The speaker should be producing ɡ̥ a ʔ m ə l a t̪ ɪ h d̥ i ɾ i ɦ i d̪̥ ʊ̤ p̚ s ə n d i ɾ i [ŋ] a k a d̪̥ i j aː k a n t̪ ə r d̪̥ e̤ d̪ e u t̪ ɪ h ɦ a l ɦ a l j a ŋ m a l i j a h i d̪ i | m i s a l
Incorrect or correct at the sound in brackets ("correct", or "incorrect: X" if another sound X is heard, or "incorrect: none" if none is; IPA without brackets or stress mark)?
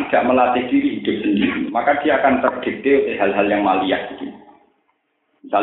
incorrect: m